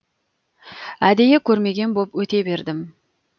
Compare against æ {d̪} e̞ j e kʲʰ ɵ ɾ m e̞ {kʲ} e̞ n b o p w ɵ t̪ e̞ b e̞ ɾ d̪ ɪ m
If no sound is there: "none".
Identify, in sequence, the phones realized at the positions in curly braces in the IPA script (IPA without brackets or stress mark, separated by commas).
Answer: d̪, ɡʲ